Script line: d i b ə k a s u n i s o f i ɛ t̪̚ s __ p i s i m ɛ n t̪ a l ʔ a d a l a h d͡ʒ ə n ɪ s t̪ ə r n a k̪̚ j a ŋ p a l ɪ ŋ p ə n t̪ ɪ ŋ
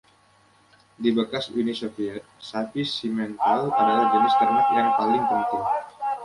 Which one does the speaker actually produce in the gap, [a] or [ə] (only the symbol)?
a